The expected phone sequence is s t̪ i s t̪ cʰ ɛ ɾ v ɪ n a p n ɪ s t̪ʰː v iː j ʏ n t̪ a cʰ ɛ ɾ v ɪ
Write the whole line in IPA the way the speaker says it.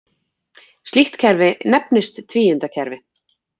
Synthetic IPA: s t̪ i h t̪ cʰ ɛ ɾ v ɪ n ɛ p n ɪ s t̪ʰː v iː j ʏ n t̪ a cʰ ɛ ɾ v ɪ